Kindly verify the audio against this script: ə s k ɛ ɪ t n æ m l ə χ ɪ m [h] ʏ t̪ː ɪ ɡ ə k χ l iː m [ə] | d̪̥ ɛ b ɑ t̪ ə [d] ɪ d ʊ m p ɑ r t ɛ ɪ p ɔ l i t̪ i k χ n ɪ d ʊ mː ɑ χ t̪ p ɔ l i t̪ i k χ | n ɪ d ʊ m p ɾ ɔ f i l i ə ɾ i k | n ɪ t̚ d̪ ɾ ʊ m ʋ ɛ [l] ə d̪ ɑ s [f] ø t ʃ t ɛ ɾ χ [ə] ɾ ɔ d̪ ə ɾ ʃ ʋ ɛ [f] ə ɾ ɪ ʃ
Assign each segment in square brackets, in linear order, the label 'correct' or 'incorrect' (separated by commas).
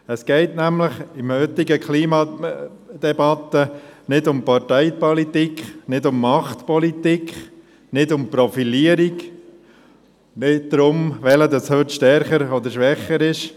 correct, incorrect, incorrect, correct, incorrect, correct, incorrect